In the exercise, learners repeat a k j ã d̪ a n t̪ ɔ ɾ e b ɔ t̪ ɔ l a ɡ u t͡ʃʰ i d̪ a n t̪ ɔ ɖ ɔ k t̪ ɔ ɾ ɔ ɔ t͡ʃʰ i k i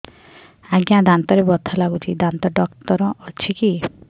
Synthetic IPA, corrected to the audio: a ɡ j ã d̪ a n t̪ ɔ ɾ e b ɔ t̪ʰ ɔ l a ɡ u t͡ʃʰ i d̪ a n t̪ ɔ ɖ ɔ k t̪ ɔ ɾ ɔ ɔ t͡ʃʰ i k i